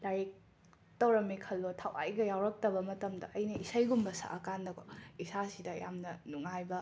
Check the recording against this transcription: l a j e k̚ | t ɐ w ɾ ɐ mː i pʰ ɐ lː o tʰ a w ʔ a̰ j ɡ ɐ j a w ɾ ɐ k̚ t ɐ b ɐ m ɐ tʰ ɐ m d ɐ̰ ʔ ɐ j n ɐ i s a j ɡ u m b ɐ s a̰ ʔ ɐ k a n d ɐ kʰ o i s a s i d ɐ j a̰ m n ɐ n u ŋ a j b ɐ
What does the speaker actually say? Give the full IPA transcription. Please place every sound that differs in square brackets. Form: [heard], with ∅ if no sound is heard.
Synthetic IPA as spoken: l a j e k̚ | t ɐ w ɾ ɐ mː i [kʰ] ɐ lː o tʰ a w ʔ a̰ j ɡ ɐ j a w ɾ ɐ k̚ t ɐ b ɐ m ɐ [t] ɐ m d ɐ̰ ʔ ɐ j n ɐ i s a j ɡ u m b ɐ s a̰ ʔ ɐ k a n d ɐ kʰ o i s a s i d ɐ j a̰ m n ɐ n u ŋ a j b ɐ